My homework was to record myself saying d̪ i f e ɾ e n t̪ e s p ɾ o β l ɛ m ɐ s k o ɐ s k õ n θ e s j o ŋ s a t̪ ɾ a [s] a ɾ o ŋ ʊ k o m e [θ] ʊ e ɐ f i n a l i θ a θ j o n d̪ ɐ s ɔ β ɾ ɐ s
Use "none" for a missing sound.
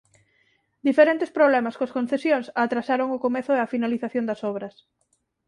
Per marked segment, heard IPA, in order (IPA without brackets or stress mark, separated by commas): s, θ